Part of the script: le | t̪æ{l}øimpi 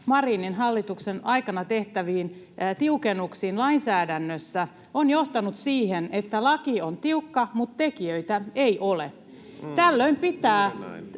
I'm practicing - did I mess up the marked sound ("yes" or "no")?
yes